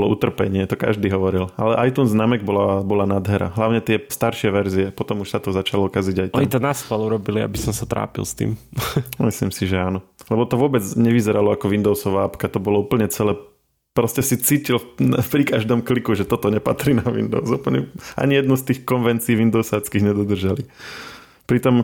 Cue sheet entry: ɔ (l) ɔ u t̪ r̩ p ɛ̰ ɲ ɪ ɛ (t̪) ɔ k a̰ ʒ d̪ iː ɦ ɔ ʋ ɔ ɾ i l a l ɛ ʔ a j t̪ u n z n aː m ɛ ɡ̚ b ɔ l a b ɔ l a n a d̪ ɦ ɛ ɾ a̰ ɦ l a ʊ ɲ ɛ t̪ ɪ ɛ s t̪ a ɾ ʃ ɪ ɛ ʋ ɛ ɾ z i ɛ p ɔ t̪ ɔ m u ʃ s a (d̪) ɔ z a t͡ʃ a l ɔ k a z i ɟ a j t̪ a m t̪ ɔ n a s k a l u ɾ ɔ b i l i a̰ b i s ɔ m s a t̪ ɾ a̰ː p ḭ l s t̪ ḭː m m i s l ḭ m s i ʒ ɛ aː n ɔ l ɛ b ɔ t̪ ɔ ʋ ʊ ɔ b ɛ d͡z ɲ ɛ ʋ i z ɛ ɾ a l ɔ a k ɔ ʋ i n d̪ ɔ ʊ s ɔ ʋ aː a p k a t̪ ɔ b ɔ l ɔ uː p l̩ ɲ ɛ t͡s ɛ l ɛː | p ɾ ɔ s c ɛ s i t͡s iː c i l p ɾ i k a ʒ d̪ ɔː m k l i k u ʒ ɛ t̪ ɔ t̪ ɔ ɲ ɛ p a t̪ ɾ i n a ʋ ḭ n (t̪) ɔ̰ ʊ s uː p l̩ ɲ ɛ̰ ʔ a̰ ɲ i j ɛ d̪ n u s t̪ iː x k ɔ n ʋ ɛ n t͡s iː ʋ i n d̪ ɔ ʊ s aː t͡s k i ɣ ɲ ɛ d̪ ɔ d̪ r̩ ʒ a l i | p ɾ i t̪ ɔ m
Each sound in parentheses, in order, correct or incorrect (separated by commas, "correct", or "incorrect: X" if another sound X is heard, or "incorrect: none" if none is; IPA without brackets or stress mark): correct, correct, incorrect: t̪, incorrect: d̪